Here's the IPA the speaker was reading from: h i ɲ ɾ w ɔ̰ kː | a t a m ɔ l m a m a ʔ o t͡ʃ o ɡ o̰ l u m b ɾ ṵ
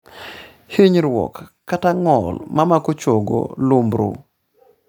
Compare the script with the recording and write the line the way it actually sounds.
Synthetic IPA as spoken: h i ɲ ɾ w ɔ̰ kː | a t a ŋ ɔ l m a m a k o t͡ʃ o ɡ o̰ l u m b ɾ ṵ